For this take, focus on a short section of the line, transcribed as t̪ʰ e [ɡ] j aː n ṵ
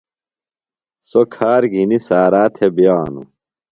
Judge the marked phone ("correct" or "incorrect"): incorrect